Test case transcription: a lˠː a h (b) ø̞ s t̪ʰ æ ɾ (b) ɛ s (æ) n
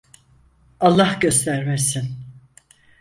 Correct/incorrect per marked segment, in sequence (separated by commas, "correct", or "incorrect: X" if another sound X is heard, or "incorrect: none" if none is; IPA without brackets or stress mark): incorrect: ɟ, incorrect: m, incorrect: i